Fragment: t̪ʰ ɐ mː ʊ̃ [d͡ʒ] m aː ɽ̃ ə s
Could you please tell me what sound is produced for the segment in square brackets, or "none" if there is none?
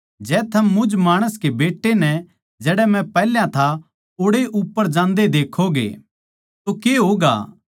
d͡ʒ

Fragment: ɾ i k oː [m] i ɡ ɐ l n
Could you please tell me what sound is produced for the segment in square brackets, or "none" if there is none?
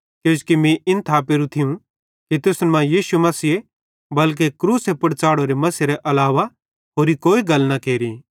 none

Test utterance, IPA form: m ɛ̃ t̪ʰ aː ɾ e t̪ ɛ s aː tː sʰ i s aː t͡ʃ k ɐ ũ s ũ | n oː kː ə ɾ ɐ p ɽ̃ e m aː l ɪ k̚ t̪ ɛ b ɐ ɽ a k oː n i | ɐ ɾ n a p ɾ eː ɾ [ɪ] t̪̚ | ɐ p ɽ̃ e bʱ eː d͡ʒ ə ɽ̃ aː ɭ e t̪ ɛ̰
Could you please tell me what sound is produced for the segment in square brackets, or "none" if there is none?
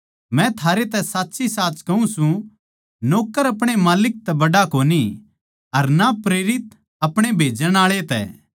ɪ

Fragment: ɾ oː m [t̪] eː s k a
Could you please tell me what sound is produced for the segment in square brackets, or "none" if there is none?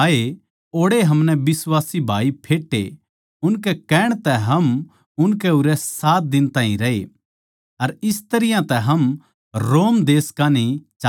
d̪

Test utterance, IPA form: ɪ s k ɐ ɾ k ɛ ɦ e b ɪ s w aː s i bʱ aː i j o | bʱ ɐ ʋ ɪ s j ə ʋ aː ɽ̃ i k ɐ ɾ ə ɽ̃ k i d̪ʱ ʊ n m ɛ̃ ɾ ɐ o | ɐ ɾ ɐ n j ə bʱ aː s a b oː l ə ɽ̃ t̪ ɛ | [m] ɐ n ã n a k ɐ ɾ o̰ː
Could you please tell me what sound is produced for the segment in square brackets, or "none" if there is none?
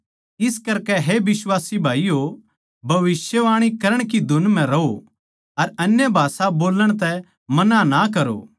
m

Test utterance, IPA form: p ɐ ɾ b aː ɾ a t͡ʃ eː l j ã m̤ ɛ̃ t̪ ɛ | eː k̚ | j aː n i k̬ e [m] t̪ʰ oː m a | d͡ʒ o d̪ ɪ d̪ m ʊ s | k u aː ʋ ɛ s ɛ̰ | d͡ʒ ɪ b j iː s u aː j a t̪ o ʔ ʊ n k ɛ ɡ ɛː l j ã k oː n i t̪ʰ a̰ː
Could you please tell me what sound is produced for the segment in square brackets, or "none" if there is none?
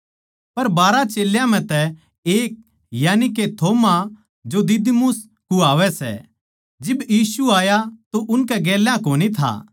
none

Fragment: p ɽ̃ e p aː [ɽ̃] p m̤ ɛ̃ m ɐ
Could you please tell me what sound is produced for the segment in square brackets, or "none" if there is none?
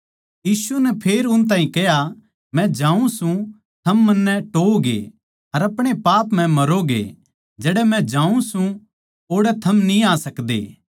none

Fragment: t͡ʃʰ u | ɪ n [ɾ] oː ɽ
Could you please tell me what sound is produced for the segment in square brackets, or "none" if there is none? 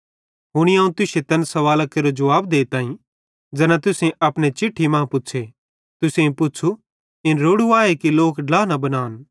ɾ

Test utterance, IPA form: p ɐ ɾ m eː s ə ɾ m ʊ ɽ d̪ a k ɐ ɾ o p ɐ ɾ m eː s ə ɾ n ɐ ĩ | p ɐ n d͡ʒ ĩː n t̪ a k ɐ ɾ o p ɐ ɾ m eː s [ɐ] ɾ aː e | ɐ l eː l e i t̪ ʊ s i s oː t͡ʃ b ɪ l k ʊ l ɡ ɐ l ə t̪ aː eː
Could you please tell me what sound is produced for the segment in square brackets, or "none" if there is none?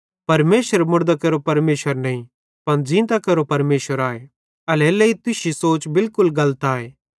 ə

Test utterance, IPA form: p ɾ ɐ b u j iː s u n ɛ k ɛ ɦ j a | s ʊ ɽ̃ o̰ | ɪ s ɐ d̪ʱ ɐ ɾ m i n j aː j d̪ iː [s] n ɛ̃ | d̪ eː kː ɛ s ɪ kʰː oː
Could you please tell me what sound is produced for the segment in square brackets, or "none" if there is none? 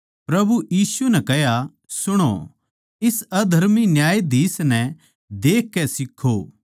s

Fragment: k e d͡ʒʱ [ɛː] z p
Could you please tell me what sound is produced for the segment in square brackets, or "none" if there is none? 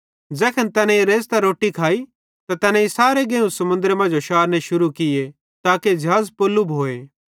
aː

